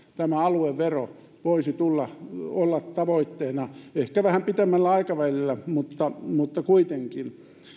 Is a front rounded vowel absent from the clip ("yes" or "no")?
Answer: yes